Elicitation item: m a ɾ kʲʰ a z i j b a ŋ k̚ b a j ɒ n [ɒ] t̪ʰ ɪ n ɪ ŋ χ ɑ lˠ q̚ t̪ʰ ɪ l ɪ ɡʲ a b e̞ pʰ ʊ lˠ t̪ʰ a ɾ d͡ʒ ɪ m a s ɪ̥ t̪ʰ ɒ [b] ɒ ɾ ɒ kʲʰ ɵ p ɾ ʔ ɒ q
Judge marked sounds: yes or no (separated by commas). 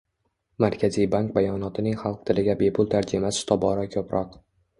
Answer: yes, yes